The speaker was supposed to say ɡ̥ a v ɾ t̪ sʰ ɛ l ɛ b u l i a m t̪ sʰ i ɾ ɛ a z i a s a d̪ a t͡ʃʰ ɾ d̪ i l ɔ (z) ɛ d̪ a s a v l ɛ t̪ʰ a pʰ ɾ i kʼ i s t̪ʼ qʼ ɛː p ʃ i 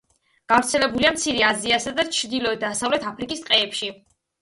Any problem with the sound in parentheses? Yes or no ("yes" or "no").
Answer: yes